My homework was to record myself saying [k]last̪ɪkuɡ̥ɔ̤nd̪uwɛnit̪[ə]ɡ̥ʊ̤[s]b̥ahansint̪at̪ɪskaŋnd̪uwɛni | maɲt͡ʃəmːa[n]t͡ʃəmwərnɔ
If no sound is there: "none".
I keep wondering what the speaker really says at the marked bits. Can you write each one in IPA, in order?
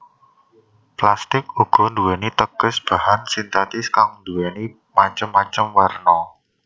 p, ə, s, ɲ

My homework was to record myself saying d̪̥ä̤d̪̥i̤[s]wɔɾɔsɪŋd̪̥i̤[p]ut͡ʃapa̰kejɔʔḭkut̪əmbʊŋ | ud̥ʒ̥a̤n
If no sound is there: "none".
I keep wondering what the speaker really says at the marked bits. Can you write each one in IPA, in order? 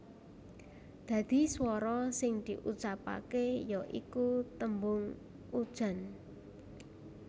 s, ʔ

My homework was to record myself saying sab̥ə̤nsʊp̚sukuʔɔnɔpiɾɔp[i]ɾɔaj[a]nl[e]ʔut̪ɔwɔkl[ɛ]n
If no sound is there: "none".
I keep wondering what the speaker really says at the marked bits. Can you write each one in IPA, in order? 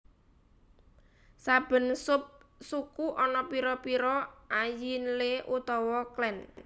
i, i, e, ɛ

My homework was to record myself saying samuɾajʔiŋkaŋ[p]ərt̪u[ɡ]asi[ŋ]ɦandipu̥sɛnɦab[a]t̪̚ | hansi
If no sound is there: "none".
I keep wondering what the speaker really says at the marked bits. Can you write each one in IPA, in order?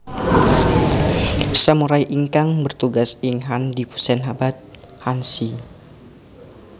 b, ɡ, ŋ, a

